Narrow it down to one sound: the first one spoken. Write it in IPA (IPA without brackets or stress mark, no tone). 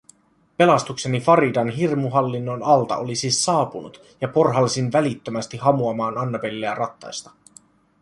p